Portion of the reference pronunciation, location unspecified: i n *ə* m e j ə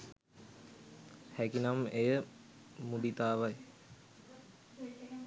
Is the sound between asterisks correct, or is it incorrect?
incorrect